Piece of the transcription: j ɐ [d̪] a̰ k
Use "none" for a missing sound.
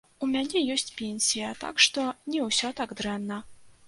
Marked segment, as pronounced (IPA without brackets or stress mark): t̪